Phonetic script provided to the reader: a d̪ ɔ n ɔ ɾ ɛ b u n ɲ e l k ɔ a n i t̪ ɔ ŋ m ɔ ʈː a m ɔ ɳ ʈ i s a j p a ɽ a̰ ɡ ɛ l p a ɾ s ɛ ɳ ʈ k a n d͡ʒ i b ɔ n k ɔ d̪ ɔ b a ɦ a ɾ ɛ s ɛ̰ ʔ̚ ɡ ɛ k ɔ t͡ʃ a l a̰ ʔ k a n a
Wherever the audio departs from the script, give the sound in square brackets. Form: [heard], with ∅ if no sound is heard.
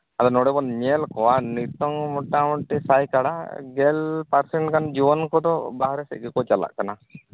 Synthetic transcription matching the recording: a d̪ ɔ n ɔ [ɽ] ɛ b [ɔ] n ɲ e l k ɔ a n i t̪ ɔ ŋ m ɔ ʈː a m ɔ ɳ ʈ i s a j [k] a ɽ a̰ ɡ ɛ l p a ɾ s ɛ ɳ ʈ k a n d͡ʒ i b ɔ n k ɔ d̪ ɔ b a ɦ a ɾ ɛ s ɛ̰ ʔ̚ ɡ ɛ k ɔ t͡ʃ a l a̰ ʔ k a n a